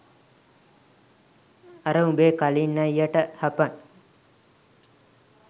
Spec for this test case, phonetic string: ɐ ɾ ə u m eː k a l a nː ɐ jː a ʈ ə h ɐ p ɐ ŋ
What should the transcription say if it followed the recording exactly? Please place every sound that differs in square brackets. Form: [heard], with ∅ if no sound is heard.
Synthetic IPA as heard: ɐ ɾ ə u [b] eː k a l [i] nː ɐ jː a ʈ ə h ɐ p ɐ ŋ